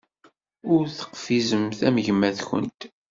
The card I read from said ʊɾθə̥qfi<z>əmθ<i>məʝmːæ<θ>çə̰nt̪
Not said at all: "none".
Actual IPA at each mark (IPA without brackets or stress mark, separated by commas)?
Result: z, æ, θ